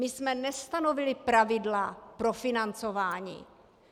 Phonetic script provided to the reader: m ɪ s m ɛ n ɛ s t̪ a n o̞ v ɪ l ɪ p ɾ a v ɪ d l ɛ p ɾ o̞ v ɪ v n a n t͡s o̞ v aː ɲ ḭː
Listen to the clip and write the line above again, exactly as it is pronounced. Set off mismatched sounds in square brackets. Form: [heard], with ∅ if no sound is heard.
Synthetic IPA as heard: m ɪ s m ɛ n ɛ s t̪ a n o̞ v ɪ l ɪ p ɾ a v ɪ d l [a] p ɾ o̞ [f] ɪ [∅] n a n t͡s o̞ v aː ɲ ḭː